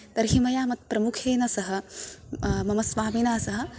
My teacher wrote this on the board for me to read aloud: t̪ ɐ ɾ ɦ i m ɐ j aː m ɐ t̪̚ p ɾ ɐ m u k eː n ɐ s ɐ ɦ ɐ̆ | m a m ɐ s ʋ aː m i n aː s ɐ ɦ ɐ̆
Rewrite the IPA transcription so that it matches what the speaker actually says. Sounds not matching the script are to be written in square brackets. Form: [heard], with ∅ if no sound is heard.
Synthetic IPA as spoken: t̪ ɐ ɾ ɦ i m ɐ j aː m ɐ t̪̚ p ɾ ɐ m u [kʰ] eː n ɐ s ɐ ɦ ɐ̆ | m [ɐ] m ɐ s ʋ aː m i n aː s ɐ ɦ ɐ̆